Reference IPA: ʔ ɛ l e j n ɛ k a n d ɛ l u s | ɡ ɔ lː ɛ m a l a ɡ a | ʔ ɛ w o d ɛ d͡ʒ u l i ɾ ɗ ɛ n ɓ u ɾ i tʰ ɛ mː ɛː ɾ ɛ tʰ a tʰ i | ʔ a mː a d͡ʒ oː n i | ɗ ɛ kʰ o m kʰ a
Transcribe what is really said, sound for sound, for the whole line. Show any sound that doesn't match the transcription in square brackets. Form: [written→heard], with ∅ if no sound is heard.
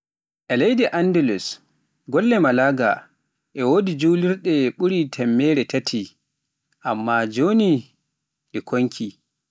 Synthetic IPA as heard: ʔ ɛ l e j [n→d] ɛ [k→ʔ] a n d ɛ l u s | ɡ ɔ lː ɛ m a l a ɡ a | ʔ ɛ w o d [ɛ→i] d͡ʒ u l i ɾ ɗ ɛ [n→∅] ɓ u ɾ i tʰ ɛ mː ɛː ɾ ɛ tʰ a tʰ i | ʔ a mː a d͡ʒ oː n i | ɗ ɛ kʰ o [m→ŋ] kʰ [a→i]